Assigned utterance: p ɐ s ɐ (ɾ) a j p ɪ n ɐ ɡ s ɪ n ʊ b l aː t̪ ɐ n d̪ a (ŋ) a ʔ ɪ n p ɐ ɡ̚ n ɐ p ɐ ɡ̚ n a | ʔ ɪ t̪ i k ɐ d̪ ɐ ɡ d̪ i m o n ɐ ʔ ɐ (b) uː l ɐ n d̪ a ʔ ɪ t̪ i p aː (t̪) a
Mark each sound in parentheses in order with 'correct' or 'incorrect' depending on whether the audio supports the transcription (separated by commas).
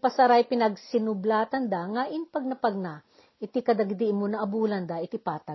correct, correct, correct, correct